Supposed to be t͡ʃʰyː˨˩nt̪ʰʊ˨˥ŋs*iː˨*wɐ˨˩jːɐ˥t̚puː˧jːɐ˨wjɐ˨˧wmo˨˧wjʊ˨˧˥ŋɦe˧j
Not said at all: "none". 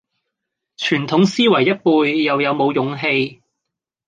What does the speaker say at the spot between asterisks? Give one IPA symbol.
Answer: iː˥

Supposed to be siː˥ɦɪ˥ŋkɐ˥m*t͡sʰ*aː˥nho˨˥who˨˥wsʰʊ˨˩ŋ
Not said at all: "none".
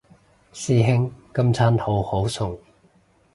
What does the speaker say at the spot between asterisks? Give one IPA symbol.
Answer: t͡sʰ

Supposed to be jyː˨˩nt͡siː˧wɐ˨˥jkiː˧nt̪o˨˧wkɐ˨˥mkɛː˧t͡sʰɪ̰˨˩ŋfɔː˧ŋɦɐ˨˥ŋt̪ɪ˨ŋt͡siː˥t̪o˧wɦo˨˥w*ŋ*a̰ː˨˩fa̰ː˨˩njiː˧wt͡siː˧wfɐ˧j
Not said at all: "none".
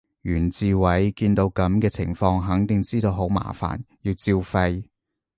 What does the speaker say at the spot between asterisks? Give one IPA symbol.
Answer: m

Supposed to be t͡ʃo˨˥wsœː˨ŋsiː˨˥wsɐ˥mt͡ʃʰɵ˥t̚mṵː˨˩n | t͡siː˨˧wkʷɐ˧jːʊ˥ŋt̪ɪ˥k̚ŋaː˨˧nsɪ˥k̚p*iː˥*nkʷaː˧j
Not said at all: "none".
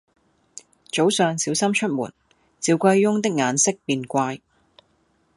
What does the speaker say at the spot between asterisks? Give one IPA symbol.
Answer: iː˧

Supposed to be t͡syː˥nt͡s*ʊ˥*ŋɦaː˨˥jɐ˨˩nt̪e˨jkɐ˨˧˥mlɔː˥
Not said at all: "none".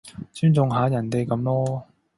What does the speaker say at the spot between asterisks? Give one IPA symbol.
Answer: ʊ˨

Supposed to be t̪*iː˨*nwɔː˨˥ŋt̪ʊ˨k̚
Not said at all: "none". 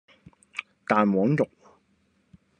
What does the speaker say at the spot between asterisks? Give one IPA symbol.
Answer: aː˨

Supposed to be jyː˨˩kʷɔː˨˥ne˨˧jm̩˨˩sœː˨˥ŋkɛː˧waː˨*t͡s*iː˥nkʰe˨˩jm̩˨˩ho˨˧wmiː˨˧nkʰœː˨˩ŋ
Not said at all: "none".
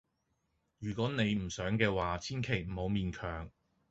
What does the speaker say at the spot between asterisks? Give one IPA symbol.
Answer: t͡sʰ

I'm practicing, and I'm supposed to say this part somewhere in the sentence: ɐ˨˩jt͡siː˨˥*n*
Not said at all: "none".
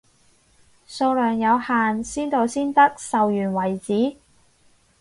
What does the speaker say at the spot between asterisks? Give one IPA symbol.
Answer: none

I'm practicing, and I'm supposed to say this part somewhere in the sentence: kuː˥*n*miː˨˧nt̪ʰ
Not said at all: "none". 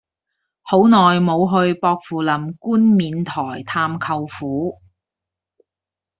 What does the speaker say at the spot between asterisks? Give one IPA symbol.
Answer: n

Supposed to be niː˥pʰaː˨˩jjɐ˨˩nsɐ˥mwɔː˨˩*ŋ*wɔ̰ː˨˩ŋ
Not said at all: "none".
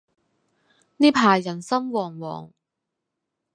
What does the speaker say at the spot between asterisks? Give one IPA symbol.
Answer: ŋ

